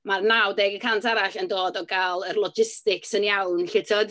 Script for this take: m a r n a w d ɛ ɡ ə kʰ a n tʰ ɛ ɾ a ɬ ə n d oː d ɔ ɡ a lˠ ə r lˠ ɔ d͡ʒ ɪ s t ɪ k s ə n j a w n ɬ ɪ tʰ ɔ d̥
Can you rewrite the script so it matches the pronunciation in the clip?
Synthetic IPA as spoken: m a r n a w d ɛ ɡ ə kʰ a n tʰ a ɾ a ɬ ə n d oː d ɔ ɡ a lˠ ə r lˠ ɔ d͡ʒ ɪ s t ɪ k s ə n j a w n ɬ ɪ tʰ ɔ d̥